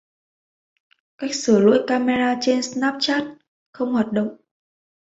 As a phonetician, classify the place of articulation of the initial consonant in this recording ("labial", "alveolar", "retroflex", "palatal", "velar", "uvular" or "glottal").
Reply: velar